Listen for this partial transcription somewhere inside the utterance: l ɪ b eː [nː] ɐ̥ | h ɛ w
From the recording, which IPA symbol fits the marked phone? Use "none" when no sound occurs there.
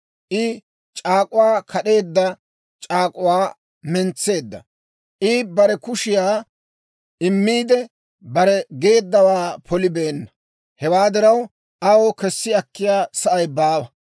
nː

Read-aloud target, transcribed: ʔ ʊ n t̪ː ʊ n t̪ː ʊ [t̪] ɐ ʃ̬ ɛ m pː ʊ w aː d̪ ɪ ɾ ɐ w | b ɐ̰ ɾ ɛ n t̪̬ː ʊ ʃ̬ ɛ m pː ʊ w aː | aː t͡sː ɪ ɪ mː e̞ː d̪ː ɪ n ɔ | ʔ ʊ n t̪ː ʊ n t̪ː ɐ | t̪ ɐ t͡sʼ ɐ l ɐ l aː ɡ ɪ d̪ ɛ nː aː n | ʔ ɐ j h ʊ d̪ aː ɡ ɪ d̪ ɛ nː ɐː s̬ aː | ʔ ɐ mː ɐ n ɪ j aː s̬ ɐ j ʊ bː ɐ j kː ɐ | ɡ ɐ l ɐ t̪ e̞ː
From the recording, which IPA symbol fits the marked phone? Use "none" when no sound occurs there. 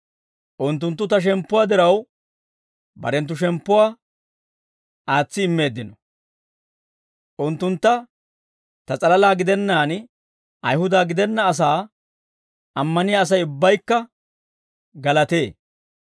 t̪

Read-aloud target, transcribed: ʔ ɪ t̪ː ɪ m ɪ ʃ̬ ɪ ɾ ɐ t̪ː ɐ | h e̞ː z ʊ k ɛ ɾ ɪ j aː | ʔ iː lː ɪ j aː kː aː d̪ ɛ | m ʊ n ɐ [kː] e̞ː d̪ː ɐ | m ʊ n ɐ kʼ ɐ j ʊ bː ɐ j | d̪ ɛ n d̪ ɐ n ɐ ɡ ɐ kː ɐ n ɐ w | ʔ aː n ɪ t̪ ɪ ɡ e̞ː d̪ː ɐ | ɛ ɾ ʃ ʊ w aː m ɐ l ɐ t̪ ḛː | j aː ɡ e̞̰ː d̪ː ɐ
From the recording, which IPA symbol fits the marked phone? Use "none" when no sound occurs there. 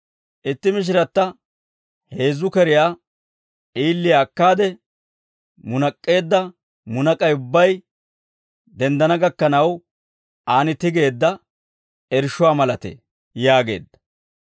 kʼː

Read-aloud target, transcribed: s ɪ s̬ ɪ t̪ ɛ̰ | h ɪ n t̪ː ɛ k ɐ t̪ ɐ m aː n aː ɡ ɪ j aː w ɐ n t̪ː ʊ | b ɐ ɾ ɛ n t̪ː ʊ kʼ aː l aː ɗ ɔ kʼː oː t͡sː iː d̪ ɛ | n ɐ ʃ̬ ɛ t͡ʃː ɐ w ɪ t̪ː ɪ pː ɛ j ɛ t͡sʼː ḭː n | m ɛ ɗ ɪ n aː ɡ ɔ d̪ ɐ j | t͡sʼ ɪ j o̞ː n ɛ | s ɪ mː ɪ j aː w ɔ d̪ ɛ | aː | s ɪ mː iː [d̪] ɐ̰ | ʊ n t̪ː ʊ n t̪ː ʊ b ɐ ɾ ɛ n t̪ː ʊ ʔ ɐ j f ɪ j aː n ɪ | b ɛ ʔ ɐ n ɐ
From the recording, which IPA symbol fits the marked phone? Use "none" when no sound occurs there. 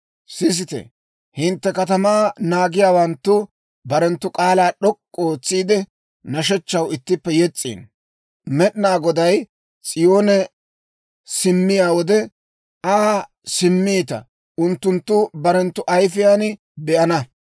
t̪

